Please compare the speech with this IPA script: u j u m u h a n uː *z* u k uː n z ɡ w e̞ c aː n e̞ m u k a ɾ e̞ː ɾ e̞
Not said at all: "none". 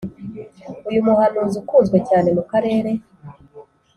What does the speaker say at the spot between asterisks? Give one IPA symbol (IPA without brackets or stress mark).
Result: z